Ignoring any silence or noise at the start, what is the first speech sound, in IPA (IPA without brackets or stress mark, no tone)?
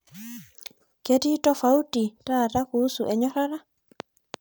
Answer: k